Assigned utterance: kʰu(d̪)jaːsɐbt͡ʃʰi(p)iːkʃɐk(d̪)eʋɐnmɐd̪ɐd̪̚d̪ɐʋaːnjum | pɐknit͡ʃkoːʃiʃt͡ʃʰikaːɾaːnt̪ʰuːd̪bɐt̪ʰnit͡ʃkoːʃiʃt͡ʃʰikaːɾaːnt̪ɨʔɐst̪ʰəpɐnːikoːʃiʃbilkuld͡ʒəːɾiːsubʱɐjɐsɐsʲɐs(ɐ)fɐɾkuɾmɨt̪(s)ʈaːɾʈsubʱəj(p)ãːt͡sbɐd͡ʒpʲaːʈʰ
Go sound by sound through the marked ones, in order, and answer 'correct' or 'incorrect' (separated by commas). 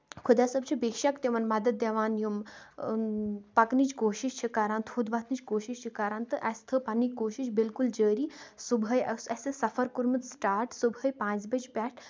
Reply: correct, incorrect, incorrect, correct, correct, correct